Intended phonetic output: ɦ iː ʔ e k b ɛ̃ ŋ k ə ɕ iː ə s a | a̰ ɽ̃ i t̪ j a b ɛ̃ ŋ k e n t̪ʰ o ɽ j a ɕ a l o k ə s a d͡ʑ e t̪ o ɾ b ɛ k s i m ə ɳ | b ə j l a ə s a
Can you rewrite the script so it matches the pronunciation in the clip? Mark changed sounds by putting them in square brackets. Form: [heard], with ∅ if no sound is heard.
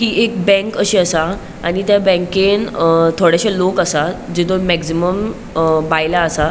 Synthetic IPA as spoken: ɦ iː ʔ e k b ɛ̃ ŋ k ə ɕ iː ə s a | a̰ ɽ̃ i t̪ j a b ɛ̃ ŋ k e n t̪ʰ o ɽ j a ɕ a l o k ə s a d͡ʑ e t̪ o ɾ [m] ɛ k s i m ə [m] | b [a] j l a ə s a